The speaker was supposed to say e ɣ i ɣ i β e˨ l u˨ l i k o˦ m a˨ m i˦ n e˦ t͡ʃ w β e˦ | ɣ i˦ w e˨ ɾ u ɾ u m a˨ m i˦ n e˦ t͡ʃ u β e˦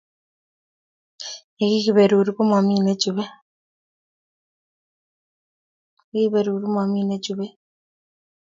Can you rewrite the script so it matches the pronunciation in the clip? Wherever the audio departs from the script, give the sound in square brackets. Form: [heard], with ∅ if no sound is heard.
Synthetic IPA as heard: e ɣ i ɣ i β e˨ [ɾ] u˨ [ɾ] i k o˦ m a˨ m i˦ n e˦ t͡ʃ [u] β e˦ | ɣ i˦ [β] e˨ ɾ u ɾ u m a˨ m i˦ n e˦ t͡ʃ u β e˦